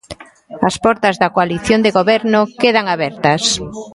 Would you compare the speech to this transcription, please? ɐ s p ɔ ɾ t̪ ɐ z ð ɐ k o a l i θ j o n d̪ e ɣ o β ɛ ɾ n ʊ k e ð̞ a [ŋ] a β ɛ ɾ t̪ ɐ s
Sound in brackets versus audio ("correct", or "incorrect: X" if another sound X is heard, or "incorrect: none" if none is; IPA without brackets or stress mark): correct